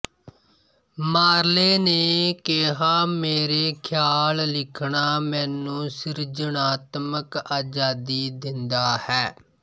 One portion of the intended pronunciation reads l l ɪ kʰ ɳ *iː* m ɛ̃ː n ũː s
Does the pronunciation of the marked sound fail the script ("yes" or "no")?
yes